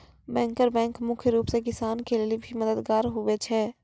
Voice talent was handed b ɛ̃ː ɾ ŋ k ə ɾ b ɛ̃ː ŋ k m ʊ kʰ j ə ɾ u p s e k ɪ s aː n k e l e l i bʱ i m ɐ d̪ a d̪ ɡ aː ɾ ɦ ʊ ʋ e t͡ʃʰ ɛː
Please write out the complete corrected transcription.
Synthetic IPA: b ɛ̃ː ŋ k ə ɾ b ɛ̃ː ŋ k m ʊ kʰ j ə ɾ uː p s e k ɪ s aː n k e l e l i bʱ i m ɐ d̪ ə d̪ ɡ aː ɾ ɦ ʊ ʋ e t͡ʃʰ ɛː